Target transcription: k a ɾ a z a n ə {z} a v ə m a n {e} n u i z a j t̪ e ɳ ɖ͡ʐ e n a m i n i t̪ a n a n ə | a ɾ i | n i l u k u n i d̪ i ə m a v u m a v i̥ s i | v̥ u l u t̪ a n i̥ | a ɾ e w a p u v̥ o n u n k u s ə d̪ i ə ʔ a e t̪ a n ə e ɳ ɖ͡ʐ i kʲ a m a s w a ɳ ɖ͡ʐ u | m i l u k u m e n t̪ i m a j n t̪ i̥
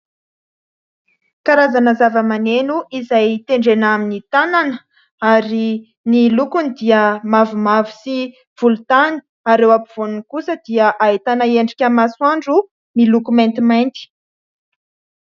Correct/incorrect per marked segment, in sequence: correct, correct

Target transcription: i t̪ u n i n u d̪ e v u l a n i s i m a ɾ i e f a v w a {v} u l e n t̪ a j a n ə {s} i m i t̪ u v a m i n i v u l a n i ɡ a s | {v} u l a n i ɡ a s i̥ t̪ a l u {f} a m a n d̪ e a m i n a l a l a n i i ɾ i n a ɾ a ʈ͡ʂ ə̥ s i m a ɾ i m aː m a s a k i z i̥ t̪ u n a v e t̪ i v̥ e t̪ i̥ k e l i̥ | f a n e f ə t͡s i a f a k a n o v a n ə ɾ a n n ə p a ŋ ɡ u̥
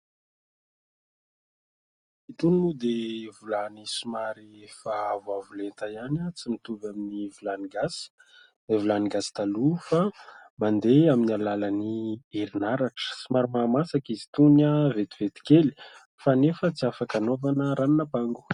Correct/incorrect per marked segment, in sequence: correct, incorrect: t͡s, correct, correct

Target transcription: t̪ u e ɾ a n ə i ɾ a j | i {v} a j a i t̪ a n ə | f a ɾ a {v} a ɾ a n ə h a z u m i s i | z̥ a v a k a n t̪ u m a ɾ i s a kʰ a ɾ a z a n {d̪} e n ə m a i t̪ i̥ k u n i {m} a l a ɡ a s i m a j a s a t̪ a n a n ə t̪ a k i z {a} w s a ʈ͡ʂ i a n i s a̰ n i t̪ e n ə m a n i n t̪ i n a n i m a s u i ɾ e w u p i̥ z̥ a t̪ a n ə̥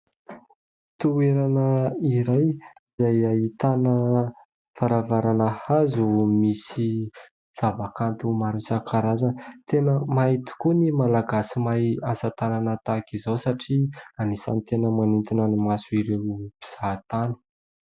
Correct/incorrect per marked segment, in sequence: incorrect: z, correct, incorrect: t̪, correct, correct

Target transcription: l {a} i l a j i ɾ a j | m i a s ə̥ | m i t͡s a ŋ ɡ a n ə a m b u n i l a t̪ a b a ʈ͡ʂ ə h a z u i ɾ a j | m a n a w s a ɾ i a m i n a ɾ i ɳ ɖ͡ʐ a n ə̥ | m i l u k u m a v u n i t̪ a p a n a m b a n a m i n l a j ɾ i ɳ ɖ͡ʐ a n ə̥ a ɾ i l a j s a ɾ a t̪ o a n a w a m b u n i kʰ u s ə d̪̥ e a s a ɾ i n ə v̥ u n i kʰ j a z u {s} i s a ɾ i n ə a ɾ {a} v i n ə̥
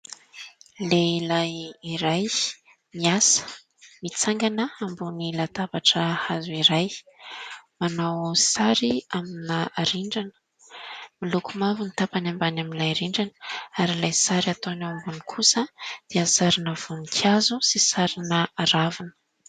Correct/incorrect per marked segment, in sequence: incorrect: e, correct, correct

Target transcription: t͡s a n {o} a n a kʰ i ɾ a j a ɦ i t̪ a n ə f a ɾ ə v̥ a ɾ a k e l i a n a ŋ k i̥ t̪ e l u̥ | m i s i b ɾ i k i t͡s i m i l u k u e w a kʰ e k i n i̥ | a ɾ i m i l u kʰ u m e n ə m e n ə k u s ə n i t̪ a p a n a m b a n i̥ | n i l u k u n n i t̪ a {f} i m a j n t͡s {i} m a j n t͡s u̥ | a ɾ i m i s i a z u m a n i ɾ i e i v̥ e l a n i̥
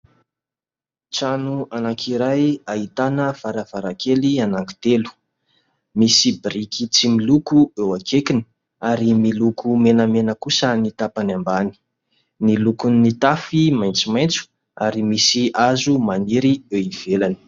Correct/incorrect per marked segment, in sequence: incorrect: u, correct, correct

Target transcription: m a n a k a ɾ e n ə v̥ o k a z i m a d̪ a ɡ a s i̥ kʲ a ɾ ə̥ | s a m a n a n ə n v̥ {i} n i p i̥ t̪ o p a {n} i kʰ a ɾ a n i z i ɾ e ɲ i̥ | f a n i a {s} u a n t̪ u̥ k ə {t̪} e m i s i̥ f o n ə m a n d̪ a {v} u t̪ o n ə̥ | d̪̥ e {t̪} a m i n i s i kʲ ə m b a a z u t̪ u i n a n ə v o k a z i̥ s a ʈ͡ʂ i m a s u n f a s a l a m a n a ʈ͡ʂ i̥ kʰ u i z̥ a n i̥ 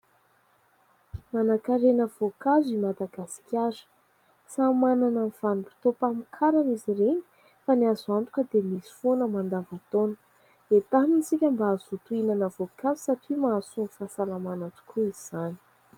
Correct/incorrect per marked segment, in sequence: incorrect: a, incorrect: m, incorrect: z, incorrect: d̪, correct, correct

